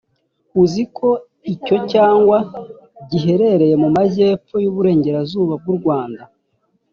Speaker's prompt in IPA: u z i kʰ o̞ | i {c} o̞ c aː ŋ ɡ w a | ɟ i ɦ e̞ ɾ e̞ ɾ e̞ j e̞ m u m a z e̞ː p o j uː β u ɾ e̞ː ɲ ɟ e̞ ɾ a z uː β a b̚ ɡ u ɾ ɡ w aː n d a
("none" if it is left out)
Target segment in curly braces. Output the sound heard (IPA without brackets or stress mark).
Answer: c